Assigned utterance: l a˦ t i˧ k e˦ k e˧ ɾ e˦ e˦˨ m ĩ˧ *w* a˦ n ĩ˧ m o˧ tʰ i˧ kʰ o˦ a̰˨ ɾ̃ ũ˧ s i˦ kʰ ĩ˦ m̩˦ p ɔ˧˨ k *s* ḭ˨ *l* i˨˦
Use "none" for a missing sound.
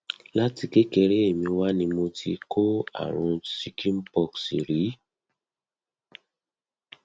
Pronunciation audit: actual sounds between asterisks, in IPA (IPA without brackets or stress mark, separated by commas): w, s, ɾ